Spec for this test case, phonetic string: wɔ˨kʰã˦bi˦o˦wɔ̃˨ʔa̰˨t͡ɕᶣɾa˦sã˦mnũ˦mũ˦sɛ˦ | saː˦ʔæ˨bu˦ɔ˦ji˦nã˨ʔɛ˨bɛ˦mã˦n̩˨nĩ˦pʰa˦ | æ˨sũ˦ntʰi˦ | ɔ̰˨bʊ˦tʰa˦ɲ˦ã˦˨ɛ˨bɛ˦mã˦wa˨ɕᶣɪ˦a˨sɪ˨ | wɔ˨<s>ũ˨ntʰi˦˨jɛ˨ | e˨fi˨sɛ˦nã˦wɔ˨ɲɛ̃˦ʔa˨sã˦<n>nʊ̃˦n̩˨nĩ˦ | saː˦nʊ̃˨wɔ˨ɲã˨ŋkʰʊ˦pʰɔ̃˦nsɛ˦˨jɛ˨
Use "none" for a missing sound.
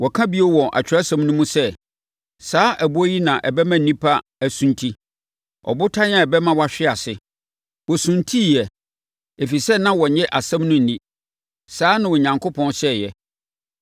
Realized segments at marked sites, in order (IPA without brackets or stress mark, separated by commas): s, m